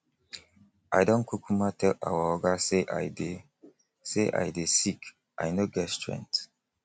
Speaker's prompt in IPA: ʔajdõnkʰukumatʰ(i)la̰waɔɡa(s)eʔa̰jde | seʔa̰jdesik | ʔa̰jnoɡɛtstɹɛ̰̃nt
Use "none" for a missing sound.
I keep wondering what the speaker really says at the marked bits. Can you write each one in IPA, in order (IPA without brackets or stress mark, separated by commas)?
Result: ɛ, s